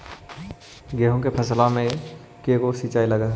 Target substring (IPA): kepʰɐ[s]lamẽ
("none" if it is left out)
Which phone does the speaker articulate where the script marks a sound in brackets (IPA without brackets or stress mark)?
s